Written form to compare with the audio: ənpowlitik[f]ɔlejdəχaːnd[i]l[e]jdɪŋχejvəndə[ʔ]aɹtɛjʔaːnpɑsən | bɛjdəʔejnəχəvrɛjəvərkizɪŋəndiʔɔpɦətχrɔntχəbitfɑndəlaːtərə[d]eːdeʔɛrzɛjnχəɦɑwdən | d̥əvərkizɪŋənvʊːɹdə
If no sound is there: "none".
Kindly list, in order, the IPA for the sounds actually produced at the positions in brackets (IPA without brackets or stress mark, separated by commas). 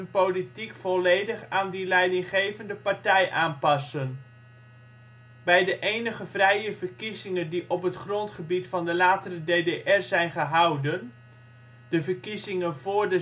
f, i, ɛ, p, d